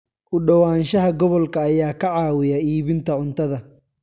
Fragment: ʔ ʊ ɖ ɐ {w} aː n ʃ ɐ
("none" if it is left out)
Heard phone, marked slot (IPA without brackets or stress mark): w